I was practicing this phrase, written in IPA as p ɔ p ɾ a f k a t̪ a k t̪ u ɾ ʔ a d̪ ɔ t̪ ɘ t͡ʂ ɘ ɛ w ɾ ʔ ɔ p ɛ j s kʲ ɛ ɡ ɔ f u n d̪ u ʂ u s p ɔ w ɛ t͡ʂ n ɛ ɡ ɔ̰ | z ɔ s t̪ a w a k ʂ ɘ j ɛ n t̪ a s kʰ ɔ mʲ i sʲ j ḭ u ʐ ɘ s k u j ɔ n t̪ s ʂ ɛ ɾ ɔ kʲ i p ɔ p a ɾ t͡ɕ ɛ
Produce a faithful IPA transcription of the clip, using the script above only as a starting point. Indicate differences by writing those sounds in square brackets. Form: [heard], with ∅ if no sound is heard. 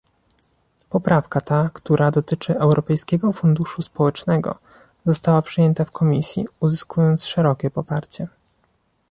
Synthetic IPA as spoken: p ɔ p ɾ a f k a t̪ a k t̪ u ɾ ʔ a d̪ ɔ t̪ ɘ t͡ʂ ɘ ɛ w ɾ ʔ ɔ p ɛ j s kʲ ɛ ɡ ɔ f u n d̪ u ʂ u s p ɔ w ɛ t͡ʂ n ɛ ɡ ɔ̰ | z ɔ s t̪ a w a [p] ʂ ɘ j ɛ n t̪ a [f] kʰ ɔ mʲ i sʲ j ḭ u [z] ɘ s k u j ɔ n t̪ s ʂ ɛ ɾ ɔ kʲ [ɛ] p ɔ p a ɾ t͡ɕ ɛ